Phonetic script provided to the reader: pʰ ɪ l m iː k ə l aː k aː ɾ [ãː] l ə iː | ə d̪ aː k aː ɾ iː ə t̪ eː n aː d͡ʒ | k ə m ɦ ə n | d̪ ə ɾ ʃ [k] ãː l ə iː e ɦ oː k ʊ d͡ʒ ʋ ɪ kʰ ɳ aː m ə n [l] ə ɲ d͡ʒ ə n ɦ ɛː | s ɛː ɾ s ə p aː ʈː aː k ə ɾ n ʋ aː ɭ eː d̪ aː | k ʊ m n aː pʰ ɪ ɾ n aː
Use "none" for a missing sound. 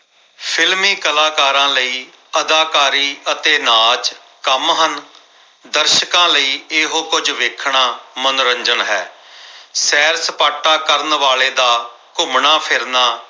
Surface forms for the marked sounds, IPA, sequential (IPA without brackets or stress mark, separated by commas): ãː, k, ɾ